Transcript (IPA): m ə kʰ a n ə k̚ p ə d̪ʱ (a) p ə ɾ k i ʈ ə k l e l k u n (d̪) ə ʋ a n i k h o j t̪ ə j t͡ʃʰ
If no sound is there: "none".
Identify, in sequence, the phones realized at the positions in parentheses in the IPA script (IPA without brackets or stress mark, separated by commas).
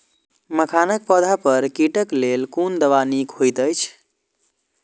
a, d̪